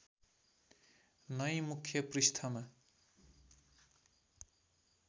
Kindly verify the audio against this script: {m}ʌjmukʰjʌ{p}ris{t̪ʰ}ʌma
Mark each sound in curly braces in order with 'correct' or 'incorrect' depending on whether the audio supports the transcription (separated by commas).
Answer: incorrect, correct, correct